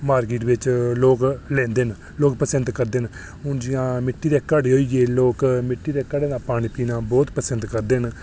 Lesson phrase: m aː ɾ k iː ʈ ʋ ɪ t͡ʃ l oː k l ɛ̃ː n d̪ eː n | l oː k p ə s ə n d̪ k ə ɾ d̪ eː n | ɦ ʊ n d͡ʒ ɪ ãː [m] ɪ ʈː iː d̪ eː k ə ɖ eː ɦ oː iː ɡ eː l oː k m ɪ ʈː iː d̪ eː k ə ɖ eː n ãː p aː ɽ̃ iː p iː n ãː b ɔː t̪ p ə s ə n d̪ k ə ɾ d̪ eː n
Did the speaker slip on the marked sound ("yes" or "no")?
no